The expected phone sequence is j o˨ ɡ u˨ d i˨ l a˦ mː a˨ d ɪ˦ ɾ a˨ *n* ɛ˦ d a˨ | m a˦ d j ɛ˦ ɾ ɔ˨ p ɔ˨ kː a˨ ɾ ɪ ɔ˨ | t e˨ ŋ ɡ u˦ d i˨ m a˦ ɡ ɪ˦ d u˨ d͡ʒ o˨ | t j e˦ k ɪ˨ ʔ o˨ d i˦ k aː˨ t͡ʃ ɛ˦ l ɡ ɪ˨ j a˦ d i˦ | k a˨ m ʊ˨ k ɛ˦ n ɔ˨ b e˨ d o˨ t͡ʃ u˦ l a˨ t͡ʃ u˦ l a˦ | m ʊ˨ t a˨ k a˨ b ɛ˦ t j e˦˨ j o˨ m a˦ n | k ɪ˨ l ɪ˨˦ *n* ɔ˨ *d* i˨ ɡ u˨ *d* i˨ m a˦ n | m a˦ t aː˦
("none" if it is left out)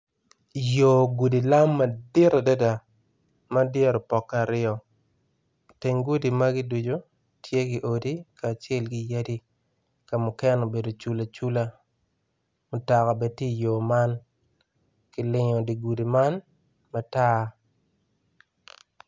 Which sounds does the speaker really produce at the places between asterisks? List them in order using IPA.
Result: d, ɲ, d, d

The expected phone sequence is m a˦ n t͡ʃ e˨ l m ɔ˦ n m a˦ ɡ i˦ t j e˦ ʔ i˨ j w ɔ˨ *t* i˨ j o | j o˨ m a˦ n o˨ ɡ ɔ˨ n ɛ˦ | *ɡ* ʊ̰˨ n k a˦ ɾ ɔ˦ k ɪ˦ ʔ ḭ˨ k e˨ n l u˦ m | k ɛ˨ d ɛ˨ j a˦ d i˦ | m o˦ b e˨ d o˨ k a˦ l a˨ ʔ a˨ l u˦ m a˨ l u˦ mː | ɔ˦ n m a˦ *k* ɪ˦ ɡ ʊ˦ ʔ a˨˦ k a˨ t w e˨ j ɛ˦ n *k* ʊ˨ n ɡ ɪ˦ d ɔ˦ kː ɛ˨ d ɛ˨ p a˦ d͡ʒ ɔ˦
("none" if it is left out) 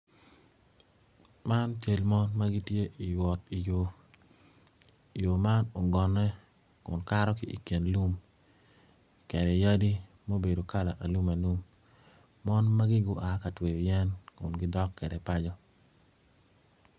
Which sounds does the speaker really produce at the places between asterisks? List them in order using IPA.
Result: t, k, ɡ, k

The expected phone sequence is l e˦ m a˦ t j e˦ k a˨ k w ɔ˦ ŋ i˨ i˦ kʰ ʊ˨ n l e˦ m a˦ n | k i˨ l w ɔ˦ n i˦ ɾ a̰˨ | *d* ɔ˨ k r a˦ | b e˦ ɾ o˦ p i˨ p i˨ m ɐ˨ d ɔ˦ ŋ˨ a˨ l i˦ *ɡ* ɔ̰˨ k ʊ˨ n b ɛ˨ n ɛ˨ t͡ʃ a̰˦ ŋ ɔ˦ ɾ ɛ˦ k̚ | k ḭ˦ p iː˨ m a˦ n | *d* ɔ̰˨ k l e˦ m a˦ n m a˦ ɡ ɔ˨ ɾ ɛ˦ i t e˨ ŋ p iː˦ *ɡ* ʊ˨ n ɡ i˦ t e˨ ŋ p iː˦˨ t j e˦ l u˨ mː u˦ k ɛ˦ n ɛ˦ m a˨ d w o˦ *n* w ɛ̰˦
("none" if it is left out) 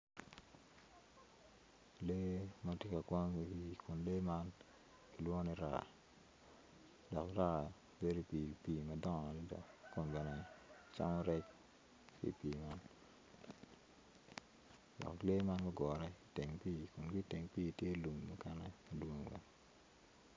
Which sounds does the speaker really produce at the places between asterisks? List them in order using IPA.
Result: d, d, d, k, ŋ

